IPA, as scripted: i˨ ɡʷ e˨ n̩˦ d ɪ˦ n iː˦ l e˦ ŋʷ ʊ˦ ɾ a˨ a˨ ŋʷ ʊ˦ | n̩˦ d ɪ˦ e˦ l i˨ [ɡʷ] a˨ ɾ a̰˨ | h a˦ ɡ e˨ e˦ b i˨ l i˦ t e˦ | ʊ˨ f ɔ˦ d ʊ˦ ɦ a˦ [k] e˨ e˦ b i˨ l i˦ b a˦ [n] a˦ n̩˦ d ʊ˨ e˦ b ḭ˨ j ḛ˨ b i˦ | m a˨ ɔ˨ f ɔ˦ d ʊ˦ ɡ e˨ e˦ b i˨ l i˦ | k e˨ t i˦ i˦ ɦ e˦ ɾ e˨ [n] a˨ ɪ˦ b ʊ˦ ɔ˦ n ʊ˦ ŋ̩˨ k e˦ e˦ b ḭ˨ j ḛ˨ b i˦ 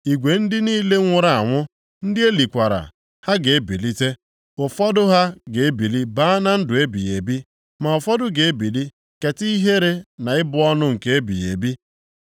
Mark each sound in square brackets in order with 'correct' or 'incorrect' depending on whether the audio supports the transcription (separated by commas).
incorrect, incorrect, correct, correct